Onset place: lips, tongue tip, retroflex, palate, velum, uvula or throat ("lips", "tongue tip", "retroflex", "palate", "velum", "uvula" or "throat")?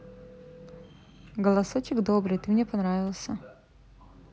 velum